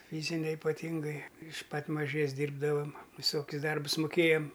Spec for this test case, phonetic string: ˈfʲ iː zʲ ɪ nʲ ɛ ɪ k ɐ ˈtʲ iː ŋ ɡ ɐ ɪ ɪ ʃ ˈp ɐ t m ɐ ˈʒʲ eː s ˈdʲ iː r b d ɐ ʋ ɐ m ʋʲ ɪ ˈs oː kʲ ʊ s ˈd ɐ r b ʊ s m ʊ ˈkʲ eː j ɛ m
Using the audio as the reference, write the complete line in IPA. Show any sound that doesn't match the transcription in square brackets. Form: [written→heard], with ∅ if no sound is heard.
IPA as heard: ˈfʲ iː zʲ ɪ nʲ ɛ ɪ [k→p] ɐ ˈtʲ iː ŋ ɡ ɐ ɪ ɪ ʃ ˈp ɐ t m ɐ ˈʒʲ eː s ˈdʲ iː r b d ɐ ʋ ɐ m ʋʲ ɪ ˈs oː kʲ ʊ s ˈd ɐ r b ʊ s m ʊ ˈkʲ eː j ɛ m